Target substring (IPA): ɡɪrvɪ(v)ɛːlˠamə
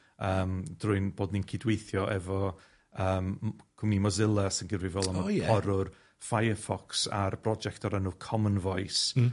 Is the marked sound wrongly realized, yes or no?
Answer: no